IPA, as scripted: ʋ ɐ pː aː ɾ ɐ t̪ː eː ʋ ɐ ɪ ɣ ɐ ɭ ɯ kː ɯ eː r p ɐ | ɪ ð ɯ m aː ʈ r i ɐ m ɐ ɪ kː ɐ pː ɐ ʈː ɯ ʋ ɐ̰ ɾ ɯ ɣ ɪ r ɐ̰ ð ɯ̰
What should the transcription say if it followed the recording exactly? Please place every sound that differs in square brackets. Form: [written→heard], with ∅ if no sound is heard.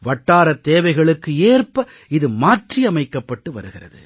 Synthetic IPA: ʋ ɐ [pː→ʈː] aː ɾ ɐ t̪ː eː ʋ ɐ ɪ ɣ ɐ ɭ ɯ kː ɯ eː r p ɐ | ɪ ð ɯ m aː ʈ r i ɐ m ɐ ɪ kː ɐ pː ɐ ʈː ɯ ʋ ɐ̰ ɾ ɯ ɣ ɪ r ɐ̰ ð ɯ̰